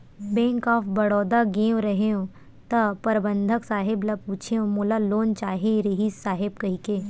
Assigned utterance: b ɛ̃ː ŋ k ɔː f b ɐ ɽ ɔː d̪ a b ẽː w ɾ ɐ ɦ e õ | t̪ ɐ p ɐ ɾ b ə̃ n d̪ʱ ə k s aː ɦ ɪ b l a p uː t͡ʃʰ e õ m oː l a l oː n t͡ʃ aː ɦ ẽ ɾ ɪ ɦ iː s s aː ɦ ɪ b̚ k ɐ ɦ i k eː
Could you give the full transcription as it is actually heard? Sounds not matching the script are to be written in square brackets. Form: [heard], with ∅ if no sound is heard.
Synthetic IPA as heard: b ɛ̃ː ŋ k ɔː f b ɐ ɽ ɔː d̪ a [ɡ] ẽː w ɾ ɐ ɦ e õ | t̪ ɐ p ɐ ɾ b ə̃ n d̪ʱ ə k s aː ɦ ɪ b l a p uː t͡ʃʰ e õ m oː l a l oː n t͡ʃ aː ɦ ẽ ɾ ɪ ɦ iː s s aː ɦ ɪ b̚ k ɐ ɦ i k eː